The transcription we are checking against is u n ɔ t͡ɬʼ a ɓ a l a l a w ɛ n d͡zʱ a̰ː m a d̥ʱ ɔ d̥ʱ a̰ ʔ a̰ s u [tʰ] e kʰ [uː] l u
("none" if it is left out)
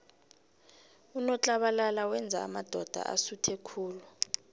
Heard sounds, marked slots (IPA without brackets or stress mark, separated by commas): tʰ, uː